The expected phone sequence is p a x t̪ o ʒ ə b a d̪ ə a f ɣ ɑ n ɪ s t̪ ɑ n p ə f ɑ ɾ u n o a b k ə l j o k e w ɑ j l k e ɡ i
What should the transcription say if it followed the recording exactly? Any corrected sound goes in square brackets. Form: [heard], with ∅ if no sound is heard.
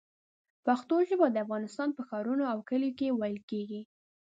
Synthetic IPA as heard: p a x t̪ o ʒ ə b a d̪ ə a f ɣ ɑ n ɪ s t̪ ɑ n p ə [x] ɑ ɾ u n o a [w] k ə l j o k e w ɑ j l k e ɡ i